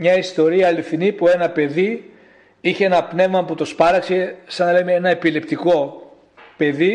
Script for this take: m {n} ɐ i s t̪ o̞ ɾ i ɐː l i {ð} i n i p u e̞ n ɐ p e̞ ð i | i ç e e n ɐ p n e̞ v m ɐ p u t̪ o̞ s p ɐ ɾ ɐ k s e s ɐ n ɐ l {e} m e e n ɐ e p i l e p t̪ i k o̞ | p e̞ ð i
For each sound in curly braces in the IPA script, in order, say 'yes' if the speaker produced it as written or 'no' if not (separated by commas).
no, no, yes